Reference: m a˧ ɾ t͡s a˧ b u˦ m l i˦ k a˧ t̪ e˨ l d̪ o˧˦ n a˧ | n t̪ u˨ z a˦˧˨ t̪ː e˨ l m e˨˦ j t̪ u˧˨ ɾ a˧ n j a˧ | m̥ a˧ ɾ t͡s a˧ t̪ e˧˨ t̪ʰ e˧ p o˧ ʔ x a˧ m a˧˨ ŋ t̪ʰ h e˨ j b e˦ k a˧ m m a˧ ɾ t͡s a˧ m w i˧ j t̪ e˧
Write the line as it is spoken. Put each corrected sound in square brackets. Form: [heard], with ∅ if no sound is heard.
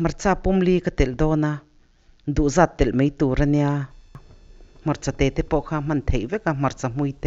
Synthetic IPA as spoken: m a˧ ɾ t͡s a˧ [p] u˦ m l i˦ k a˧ t̪ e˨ l d̪ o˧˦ n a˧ | n [d̪] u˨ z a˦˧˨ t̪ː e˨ l m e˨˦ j t̪ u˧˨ ɾ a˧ n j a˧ | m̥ a˧ ɾ t͡s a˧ t̪ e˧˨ [t̪] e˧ p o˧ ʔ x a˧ m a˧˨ [n] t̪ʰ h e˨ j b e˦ k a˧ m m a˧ ɾ t͡s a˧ m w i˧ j t̪ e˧